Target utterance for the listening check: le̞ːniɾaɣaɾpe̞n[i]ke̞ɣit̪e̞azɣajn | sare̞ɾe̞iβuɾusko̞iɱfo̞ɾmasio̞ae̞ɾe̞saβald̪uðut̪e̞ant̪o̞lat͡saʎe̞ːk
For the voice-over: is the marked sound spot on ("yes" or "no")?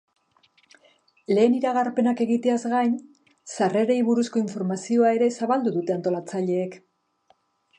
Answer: no